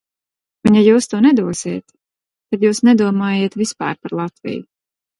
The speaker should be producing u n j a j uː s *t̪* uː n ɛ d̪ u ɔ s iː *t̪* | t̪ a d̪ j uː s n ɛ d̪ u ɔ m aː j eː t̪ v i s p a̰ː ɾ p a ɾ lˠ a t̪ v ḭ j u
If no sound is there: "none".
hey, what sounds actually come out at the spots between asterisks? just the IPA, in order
t̪, t̪

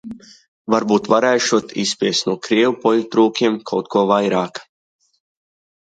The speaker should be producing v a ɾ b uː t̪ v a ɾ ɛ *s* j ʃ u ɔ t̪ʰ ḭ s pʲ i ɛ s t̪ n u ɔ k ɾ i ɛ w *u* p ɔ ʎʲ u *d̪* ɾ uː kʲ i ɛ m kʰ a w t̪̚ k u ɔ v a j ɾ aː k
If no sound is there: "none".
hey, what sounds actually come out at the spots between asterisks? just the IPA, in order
none, u, t̪

